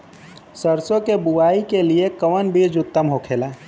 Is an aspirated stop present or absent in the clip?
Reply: present